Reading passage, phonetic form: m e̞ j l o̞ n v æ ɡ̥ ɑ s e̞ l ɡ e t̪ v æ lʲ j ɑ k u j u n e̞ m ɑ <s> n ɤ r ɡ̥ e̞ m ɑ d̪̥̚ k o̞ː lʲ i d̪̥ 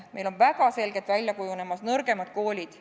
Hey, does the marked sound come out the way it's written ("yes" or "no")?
yes